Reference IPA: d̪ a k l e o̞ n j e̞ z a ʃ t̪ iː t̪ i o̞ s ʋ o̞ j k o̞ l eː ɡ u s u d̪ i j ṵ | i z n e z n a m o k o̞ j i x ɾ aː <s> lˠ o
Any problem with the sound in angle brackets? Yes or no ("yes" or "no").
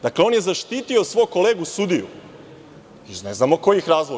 yes